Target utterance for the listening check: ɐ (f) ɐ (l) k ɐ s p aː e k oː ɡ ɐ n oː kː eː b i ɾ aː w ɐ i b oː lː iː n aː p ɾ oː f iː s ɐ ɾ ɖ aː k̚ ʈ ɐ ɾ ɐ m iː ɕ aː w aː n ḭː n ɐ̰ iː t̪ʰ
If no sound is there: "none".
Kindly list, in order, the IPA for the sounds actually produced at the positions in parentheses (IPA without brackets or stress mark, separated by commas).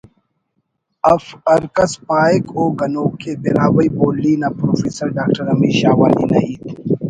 f, ɾ